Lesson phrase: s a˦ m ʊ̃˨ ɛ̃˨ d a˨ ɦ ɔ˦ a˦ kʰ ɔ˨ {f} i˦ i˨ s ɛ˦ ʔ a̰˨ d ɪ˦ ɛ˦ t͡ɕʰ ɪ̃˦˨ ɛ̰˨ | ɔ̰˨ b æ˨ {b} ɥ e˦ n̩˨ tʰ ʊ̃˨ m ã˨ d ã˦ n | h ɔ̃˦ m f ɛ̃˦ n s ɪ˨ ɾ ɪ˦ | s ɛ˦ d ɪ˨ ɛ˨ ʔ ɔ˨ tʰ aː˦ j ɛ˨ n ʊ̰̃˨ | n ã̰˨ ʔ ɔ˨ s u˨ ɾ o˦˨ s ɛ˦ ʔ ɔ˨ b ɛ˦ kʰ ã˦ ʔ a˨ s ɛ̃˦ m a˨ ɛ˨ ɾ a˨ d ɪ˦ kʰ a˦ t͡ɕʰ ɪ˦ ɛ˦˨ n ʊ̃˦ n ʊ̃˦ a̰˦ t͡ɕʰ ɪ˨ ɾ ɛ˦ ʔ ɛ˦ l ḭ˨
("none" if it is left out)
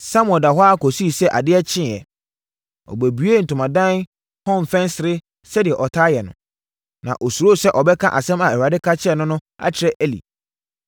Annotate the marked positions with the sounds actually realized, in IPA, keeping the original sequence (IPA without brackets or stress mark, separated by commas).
s, b